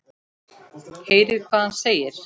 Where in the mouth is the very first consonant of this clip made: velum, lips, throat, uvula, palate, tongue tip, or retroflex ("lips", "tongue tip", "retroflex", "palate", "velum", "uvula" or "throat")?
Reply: throat